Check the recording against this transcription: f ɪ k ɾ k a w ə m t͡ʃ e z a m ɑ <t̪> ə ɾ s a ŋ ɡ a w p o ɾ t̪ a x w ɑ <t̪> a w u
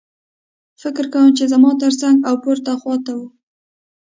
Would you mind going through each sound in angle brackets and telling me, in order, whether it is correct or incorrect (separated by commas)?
correct, correct